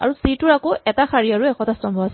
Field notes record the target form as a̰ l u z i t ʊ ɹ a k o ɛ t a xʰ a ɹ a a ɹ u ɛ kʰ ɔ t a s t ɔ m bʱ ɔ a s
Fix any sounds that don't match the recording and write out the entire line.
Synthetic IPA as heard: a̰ ɹ u s i t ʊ ɹ a k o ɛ t a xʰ a ɹ i a ɹ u ɛ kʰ ɔ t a s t ɔ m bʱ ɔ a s